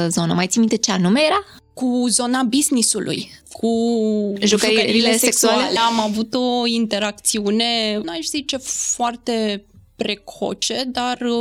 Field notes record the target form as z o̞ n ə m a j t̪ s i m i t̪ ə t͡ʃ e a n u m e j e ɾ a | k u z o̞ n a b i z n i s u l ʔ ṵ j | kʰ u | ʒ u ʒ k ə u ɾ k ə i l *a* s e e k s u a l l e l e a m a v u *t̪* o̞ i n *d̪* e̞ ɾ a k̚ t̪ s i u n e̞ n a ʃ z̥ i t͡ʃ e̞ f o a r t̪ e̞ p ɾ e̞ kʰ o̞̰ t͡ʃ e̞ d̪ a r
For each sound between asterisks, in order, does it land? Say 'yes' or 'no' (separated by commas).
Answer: no, yes, no